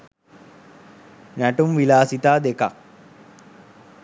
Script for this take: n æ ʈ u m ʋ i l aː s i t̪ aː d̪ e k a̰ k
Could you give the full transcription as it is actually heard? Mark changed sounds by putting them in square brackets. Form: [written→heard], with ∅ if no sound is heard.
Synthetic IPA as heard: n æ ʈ u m ʋ i l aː s i t̪ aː d̪ e k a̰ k